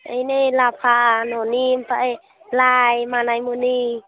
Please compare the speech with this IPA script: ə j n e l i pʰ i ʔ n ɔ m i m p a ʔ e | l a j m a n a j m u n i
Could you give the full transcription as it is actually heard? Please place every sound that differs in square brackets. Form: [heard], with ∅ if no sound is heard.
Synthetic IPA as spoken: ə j n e l [a] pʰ [a] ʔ n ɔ [n] i m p a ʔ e | l a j m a n a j m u n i